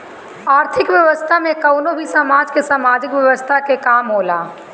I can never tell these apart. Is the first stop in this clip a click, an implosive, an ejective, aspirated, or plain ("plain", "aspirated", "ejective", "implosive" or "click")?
aspirated